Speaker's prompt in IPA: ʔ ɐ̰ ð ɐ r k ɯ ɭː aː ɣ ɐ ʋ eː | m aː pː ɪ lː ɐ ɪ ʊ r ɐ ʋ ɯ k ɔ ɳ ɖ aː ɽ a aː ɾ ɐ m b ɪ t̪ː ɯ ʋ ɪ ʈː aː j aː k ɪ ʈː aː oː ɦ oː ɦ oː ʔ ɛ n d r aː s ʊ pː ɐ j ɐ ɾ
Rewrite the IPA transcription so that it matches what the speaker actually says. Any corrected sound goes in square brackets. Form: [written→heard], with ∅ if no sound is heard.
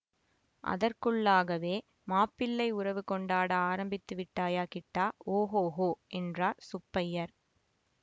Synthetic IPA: ʔ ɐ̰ ð ɐ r k ɯ ɭː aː ɣ ɐ ʋ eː | m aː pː ɪ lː ɐ ɪ ʊ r ɐ ʋ ɯ k ɔ ɳ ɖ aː ɽ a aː ɾ ɐ m b ɪ t̪ː ɯ ʋ ɪ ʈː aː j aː k ɪ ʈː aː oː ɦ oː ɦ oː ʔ ɛ n d r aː s ʊ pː ɐ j ɐ ɾ